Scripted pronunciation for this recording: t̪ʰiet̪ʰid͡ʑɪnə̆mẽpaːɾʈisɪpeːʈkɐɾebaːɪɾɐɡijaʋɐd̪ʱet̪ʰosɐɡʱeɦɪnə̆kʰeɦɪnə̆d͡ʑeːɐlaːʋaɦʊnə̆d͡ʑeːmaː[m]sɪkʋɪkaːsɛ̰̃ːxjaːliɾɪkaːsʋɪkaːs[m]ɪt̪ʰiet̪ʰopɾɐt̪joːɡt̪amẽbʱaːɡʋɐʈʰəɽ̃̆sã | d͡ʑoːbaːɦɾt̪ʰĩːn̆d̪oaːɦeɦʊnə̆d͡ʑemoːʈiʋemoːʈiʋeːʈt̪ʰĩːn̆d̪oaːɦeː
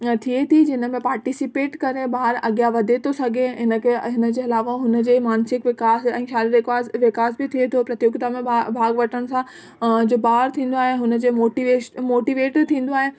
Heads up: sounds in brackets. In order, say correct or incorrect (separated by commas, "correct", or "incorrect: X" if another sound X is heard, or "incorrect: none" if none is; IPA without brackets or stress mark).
incorrect: n, incorrect: b